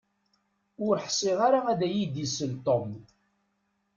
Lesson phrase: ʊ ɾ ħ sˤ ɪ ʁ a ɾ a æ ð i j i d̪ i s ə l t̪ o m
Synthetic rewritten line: ʊ ɾ ħ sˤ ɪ ʁ a ɾ a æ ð æ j i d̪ i s ə l t̪ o m